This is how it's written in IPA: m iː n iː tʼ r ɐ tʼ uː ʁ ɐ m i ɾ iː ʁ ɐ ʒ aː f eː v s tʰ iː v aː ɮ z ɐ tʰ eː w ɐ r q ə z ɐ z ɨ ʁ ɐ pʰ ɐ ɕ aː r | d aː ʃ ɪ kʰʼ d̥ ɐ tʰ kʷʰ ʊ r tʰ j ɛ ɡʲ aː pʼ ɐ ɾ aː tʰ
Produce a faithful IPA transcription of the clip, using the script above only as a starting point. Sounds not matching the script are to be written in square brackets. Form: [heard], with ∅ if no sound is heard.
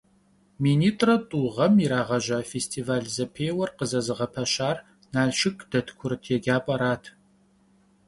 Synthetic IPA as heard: m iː n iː tʼ r ɐ tʼ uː ʁ ɐ m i ɾ [aː] ʁ ɐ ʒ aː f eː [∅] s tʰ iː v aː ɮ z ɐ [pʰ] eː w ɐ r q ə z ɐ z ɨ ʁ ɐ pʰ ɐ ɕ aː r | [n] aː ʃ ɪ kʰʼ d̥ ɐ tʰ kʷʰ ʊ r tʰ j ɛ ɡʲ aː pʼ ɐ ɾ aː tʰ